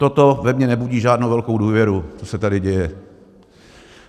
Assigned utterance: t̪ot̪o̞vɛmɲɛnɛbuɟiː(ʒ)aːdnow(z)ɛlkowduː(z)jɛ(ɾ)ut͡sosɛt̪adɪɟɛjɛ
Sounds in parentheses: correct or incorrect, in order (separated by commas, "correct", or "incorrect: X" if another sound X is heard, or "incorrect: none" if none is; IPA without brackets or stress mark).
correct, incorrect: v, incorrect: v, correct